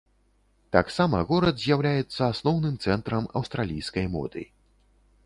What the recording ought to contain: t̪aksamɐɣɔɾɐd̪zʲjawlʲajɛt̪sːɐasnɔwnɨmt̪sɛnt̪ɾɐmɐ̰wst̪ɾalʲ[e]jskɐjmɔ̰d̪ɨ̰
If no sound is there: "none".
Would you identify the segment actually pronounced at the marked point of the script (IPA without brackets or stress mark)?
i